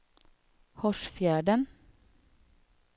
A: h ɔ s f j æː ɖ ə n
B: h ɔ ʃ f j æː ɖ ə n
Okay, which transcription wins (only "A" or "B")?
B